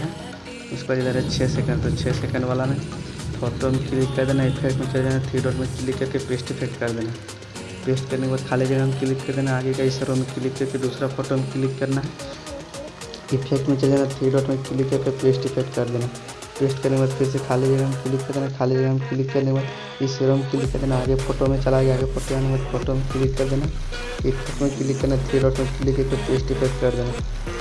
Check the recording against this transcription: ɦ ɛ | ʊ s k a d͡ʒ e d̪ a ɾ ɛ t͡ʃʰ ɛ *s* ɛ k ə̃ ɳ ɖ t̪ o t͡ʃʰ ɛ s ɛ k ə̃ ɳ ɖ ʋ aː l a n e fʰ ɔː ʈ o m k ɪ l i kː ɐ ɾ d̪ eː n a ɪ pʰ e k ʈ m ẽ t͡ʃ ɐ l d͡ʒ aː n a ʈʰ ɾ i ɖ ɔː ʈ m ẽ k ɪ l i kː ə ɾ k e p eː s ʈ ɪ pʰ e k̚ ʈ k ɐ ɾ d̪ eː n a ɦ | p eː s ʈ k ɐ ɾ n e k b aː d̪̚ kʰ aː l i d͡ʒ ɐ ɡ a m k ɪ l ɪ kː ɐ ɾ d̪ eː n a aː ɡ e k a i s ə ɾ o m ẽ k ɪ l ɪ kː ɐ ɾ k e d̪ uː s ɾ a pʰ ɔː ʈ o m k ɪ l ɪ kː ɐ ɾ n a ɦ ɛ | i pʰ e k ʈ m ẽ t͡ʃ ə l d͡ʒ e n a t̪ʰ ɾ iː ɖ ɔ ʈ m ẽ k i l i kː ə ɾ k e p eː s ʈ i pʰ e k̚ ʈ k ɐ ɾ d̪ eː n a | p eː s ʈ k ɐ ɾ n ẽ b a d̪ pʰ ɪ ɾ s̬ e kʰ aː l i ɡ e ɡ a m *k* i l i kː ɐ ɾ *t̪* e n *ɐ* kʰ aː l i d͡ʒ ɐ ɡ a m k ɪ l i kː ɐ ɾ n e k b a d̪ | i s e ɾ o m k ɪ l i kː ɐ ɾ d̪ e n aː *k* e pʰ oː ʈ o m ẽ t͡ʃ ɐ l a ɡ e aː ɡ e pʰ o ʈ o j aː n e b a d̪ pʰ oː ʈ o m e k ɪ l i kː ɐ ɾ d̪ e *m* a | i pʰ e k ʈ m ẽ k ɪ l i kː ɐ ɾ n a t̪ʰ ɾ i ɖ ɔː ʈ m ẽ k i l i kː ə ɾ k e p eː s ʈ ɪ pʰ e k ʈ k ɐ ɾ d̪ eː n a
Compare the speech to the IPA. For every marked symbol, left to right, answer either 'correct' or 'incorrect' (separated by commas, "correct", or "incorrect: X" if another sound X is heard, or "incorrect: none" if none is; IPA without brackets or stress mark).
correct, correct, incorrect: d̪, incorrect: a, incorrect: ɡ, incorrect: n